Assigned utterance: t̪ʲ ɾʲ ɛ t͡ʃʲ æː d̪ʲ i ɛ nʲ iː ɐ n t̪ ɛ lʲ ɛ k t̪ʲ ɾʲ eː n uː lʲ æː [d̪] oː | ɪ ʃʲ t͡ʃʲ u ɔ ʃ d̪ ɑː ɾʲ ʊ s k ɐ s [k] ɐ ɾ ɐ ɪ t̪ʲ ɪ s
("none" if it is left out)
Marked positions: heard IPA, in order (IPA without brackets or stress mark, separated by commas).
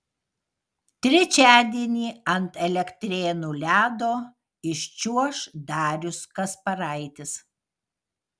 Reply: d̪, p